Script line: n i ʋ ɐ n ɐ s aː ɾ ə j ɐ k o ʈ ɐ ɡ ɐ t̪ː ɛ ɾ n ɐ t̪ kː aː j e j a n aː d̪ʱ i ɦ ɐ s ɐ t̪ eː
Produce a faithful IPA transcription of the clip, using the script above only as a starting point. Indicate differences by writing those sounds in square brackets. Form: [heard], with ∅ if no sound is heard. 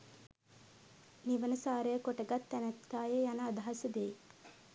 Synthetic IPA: n i ʋ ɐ n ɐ s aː ɾ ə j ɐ k o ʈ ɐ ɡ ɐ t̪ː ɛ [∅] n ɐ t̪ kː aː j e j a n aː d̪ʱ [a] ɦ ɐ s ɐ [d̪] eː